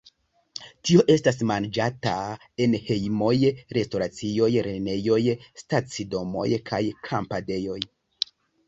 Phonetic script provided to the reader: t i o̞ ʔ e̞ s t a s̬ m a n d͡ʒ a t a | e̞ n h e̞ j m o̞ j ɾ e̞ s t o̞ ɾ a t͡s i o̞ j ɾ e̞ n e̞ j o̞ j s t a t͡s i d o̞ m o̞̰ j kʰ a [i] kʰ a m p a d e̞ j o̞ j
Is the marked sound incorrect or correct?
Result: incorrect: j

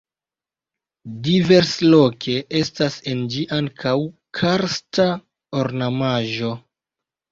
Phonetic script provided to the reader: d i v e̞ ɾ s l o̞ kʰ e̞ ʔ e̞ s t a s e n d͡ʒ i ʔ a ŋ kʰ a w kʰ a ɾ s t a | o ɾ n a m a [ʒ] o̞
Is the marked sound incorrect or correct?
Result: correct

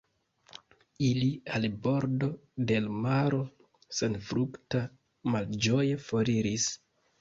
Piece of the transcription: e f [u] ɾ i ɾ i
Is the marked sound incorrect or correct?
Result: incorrect: o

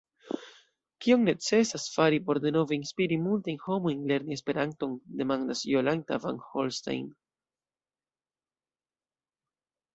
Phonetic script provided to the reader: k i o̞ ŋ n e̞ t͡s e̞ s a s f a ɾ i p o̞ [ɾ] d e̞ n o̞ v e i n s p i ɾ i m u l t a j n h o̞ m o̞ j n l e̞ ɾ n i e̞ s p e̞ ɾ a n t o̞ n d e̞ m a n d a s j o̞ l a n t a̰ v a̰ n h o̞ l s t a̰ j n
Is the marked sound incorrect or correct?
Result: correct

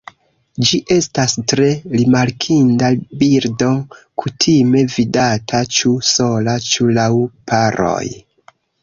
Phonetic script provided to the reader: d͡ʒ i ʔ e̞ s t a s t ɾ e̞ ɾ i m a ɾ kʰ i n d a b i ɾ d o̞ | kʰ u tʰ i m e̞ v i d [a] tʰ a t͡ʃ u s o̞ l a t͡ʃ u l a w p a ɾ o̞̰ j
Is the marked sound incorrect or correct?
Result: correct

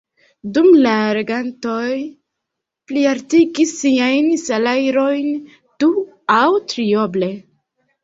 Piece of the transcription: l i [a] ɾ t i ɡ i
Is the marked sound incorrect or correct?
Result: correct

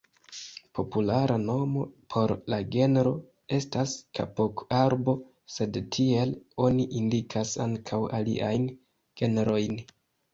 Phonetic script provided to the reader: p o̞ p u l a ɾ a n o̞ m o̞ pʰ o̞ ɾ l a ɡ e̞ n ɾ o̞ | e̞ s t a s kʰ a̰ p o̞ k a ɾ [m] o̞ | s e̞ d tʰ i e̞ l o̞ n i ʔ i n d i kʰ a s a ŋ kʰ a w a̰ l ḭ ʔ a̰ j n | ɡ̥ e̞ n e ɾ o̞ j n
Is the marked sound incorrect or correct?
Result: incorrect: b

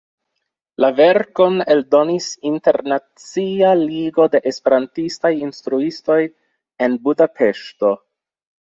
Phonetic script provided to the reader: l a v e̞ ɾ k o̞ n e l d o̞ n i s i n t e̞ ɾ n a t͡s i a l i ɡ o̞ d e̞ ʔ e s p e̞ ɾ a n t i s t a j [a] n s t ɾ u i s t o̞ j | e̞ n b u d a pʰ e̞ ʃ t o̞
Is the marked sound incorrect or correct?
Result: incorrect: i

